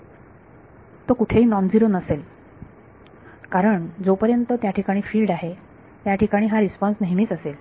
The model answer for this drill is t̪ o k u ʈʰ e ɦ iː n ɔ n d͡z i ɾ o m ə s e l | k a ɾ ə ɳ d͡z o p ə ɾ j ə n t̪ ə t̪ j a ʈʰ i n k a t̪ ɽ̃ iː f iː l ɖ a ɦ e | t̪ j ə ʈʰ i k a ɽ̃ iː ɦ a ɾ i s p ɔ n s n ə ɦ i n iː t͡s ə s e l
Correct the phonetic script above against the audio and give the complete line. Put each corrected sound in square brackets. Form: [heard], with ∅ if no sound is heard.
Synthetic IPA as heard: t̪ o k u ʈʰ e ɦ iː n ɔ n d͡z i ɾ o [n] ə s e l | k a ɾ ə ɳ d͡z o p ə ɾ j ə n t̪ ə t̪ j a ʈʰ i [∅] k a [∅] ɽ̃ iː f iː l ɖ a ɦ e | t̪ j [a] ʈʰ i k a ɽ̃ iː ɦ a ɾ i s p ɔ n s n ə ɦ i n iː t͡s ə s e l